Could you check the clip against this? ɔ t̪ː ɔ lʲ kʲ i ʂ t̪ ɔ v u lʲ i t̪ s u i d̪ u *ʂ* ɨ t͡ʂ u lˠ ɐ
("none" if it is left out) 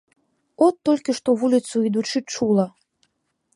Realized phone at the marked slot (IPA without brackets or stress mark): t͡ʂ